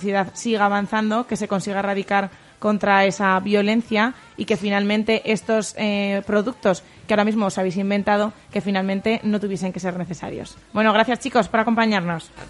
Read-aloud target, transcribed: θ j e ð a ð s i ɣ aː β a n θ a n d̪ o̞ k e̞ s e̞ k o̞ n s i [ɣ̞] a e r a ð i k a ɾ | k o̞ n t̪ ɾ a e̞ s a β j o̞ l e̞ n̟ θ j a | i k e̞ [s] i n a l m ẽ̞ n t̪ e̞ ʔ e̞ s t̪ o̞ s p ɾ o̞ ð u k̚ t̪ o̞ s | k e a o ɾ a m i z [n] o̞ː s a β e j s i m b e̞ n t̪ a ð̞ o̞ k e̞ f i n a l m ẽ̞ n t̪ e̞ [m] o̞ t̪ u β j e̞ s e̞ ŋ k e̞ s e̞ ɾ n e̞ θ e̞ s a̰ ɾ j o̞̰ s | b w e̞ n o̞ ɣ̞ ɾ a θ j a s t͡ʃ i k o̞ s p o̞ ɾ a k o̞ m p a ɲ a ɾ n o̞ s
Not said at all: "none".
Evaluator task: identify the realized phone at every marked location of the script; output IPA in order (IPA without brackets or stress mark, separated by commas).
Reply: ɣ̞, f, m, n